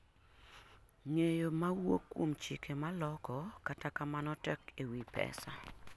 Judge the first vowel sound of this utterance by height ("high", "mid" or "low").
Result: mid